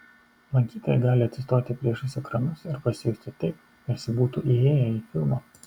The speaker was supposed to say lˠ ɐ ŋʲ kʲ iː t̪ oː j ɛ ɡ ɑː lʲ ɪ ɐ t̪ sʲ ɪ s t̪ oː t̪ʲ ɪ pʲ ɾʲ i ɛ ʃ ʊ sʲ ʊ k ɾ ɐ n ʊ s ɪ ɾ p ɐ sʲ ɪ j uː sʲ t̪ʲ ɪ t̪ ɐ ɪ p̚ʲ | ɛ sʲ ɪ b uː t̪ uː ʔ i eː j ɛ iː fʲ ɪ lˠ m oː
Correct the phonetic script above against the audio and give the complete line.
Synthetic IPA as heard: lˠ ɐ ŋʲ kʲ iː t̪ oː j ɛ ɡ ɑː lʲ ɪ ɐ t̪ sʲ ɪ s t̪ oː t̪ʲ ɪ pʲ ɾʲ i ɛ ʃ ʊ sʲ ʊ k ɾ ɐ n ʊ s ɪ ɾ p ɐ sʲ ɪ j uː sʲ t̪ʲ ɪ t̪ ɐ ɪ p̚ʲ | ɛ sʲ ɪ b uː t̪ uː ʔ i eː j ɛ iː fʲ ɪ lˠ m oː